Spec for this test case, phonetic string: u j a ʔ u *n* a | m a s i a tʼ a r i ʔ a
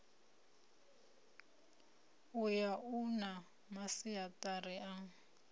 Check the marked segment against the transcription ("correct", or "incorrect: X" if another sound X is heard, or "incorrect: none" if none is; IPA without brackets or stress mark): correct